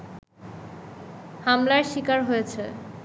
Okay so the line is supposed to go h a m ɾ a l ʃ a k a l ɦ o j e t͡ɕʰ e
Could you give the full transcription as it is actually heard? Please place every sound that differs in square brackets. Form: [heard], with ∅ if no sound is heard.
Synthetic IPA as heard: h a m [l] a [ɾ] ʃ [i] k a [ɾ] ɦ o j e t͡ɕʰ e